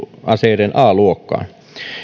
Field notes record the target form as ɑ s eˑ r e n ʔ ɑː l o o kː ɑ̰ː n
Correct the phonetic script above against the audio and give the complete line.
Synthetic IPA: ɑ s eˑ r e n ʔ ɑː l u o kː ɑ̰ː n